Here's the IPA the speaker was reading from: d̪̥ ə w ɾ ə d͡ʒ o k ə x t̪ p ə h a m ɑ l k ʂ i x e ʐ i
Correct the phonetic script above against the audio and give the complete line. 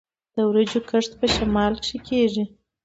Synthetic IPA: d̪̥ ə w ɾ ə d͡ʒ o k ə ʂ t̪ p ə ʃ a m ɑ l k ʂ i k e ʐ i